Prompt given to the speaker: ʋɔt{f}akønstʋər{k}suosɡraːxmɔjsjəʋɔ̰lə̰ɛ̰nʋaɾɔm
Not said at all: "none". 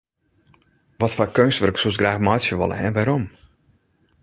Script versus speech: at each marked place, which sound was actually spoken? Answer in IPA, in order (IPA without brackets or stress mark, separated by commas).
f, k